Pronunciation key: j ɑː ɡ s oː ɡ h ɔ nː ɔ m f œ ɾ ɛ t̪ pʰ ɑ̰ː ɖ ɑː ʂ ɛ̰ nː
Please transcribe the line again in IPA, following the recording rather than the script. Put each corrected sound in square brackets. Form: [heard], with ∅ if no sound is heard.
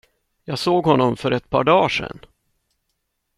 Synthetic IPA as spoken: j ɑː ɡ s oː ɡ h ɔ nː ɔ m f œ ɾ ɛ t̪ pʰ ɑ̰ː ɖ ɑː ʂ ɛ̰ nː